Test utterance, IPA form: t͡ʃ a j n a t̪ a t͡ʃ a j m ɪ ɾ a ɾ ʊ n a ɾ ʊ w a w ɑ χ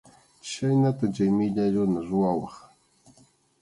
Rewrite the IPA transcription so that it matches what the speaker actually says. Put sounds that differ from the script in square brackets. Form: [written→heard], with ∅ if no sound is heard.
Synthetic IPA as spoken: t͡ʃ a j n a t̪ a t͡ʃ a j m ɪ [ɾ→ʎ] a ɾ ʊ n a ɾ ʊ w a w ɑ χ